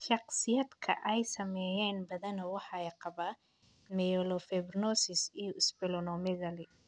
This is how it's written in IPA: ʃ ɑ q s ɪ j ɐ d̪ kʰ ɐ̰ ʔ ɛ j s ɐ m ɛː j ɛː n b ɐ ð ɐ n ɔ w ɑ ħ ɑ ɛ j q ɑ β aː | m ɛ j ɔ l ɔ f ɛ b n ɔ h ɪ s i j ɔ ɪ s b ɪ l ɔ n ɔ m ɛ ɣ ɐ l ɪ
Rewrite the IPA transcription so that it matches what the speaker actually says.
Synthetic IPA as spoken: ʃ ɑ q s ɪ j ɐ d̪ kʰ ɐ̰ ʔ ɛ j s ɐ m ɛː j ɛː n b ɐ ð ɐ n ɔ w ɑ ħ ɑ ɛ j q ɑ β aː | m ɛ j ɔ l ɔ f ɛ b n ɔ s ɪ s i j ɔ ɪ s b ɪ l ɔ n ɔ m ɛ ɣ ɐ l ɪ